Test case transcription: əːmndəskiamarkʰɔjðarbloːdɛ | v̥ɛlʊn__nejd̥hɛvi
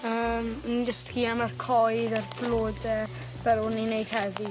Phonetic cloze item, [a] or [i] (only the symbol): i